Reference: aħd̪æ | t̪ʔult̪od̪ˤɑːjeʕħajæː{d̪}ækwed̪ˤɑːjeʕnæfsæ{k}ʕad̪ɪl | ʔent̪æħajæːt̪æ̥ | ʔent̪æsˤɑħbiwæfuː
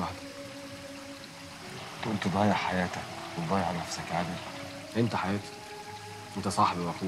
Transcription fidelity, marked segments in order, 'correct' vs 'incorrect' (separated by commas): incorrect, correct